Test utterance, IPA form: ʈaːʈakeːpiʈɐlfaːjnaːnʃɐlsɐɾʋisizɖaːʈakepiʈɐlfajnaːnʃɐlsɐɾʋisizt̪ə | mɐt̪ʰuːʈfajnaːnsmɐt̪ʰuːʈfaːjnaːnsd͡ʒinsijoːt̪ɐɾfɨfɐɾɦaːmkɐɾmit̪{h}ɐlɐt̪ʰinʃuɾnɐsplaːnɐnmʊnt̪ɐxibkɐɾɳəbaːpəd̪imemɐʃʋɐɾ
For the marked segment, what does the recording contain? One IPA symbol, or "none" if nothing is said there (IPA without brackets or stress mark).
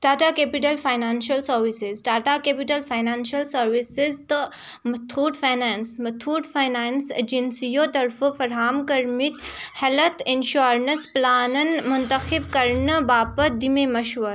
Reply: h